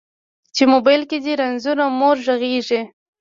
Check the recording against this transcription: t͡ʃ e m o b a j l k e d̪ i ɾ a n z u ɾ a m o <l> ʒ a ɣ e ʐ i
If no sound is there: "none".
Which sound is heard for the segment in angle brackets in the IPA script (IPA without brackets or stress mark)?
ɾ